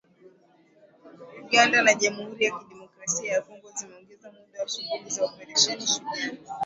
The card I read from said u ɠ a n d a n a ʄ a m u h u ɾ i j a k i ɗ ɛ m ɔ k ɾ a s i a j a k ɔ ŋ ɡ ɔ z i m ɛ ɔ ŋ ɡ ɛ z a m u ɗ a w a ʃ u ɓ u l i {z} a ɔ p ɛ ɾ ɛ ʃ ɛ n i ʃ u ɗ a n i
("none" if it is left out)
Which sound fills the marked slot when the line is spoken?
z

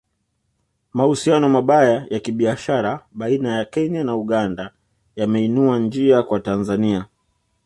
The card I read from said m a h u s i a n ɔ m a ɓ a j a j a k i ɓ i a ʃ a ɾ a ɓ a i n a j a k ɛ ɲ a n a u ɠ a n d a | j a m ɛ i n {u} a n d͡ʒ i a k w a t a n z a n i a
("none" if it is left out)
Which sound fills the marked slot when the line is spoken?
u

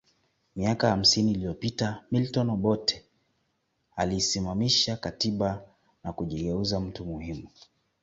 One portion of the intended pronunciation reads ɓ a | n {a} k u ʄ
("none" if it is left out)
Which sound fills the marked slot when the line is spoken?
a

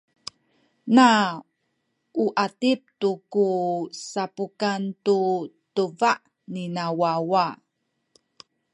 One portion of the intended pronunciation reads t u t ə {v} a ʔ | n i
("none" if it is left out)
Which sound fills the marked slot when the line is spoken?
v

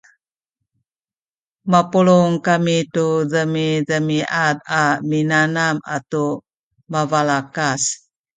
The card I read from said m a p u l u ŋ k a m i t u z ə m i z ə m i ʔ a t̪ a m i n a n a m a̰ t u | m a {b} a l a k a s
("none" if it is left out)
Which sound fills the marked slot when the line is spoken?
v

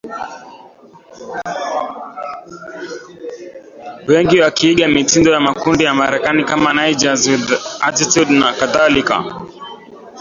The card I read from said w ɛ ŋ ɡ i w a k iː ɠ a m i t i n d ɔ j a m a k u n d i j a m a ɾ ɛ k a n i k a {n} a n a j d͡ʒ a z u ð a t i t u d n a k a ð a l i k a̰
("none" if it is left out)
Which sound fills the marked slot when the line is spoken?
m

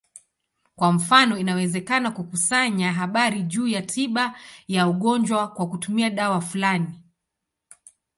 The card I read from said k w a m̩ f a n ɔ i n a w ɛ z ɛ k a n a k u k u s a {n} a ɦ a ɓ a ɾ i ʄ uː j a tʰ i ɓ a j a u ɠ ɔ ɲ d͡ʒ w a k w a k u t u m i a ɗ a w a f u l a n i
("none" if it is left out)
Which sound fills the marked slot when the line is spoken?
ɲ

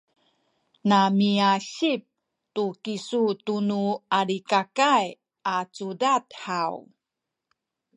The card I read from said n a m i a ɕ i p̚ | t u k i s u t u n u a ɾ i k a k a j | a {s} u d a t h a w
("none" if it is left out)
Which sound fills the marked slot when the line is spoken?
t͡s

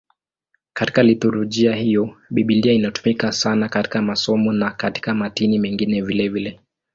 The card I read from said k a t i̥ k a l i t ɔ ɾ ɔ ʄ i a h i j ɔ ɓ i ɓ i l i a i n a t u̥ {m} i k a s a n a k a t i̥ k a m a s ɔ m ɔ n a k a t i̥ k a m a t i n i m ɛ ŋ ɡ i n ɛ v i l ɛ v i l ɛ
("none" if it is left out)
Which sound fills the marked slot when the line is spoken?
m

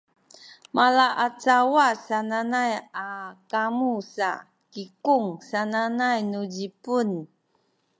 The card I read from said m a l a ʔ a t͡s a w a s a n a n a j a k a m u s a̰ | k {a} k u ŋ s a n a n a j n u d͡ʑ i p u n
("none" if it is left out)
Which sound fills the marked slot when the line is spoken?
i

